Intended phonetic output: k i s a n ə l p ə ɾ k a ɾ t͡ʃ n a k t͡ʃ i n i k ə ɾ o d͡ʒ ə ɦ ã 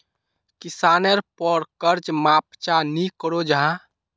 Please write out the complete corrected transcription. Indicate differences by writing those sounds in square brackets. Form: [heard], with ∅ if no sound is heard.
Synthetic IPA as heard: k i s a n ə [ɾ] p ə ɾ k [ə] ɾ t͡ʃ [m] a [p] t͡ʃ [a] n i k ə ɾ o d͡ʒ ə ɦ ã

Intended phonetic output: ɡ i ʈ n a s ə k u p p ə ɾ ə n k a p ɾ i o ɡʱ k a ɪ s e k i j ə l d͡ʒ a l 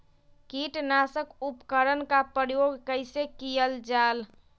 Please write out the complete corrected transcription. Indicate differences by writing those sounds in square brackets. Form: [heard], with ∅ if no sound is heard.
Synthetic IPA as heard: [k] i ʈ n a s ə k u p [k] ə ɾ ə n k a p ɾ [j] o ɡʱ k [ə] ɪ s e k i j ə l d͡ʒ a l

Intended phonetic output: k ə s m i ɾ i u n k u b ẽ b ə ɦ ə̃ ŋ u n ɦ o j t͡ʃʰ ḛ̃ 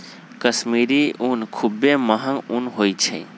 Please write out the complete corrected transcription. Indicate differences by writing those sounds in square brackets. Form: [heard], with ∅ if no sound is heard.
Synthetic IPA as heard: k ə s m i ɾ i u n [kʰ] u b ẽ [m] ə ɦ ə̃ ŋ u n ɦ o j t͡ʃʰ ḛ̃

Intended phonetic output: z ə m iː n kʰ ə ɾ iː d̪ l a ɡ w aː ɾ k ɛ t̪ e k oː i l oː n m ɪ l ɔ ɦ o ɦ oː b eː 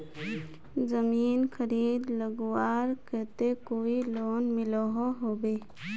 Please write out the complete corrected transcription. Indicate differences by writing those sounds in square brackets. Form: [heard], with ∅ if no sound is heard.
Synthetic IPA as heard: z ə m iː n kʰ ə ɾ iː d̪ l [ə] ɡ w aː ɾ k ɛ t̪ e k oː i l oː n m ɪ l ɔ ɦ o ɦ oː b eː

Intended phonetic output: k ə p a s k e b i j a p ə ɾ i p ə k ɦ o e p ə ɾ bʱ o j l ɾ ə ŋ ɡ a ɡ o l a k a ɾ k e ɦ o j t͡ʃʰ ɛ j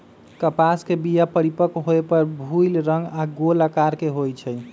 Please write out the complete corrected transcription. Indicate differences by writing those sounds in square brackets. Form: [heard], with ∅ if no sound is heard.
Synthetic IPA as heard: k ə p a s k e b i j a p ə ɾ i p ə k ɦ o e p ə ɾ bʱ [u] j l ɾ ə ŋ ɡ a ɡ o l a k a ɾ k e ɦ o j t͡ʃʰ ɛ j

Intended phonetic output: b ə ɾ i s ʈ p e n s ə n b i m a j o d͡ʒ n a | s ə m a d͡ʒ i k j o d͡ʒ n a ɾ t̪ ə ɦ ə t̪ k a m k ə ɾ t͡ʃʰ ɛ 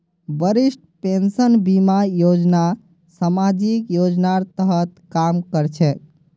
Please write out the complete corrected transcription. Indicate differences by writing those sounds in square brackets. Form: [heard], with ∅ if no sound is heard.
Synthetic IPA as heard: b ə ɾ i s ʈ p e n s ə n b i m a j o d͡ʒ n a | s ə m a d͡ʒ i k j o d͡ʒ n a ɾ t̪ ə ɦ ə t̪ k a m k ə ɾ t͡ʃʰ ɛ

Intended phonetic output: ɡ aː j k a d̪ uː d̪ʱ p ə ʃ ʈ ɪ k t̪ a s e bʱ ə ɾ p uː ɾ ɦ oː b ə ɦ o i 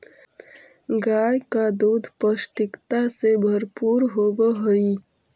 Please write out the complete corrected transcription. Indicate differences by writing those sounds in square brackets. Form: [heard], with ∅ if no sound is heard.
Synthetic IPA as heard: ɡ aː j k a d̪ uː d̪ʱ p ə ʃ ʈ ɪ k t̪ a s e bʱ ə ɾ p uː ɾ ɦ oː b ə ɦ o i

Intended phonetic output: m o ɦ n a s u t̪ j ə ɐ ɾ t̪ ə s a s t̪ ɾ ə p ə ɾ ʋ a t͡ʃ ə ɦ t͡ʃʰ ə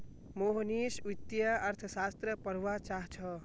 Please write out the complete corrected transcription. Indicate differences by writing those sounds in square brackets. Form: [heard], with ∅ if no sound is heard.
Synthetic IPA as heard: m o ɦ n [i] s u t̪ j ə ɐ ɾ [t̪ʰ] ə s a s t̪ ɾ ə p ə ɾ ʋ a t͡ʃ [a] ɦ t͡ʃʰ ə

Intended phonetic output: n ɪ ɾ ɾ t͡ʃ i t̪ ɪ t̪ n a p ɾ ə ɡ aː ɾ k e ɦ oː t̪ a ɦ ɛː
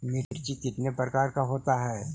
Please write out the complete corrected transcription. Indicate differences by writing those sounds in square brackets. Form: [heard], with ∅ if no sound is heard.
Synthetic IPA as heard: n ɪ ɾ ɾ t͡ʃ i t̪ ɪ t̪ n [e] p ɾ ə [k] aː ɾ k [a] ɦ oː t̪ a ɦ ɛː

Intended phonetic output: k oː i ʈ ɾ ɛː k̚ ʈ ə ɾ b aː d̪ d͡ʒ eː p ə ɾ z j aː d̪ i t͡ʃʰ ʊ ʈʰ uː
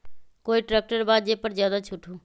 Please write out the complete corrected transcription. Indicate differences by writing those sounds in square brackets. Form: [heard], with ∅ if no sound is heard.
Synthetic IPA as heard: k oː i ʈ ɾ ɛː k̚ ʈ ə ɾ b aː d̪ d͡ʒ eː p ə ɾ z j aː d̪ [a] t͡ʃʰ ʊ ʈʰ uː

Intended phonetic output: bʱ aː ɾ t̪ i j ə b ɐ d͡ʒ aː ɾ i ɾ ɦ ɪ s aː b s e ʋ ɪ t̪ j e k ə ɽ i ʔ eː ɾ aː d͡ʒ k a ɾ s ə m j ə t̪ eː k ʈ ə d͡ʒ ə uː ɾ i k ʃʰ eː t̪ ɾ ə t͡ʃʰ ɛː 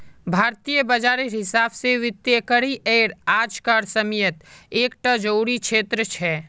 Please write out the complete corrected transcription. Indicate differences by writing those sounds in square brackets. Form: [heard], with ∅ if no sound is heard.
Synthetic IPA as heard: bʱ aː ɾ t̪ i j ə b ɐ d͡ʒ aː ɾ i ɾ ɦ ɪ s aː b s e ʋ ɪ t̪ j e k ə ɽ i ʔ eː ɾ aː d͡ʒ k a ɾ s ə m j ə t̪ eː k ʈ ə d͡ʒ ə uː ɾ i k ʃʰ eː t̪ ɾ ə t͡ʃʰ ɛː

